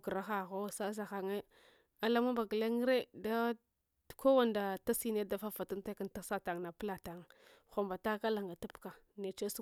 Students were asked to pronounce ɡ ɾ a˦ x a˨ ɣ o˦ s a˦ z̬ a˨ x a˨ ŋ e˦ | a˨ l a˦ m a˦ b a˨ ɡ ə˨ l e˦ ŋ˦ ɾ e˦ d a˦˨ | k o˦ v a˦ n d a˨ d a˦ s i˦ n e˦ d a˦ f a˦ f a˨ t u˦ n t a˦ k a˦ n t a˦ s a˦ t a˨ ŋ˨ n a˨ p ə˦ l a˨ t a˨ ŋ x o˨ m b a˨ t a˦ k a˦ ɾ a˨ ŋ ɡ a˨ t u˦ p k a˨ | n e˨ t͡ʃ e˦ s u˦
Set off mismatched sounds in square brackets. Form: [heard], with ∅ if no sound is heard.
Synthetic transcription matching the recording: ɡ ɾ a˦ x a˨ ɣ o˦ s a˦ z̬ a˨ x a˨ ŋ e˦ | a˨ l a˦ m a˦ b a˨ ɡ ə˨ l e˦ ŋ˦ ɾ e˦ d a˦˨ | k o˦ [w] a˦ n d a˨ [t] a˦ s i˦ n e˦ d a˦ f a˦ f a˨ t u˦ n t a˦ k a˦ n t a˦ s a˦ t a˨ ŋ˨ n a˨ p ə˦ l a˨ t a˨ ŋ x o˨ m b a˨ t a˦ k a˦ [l] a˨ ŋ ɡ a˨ t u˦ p k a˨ | n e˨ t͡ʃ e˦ s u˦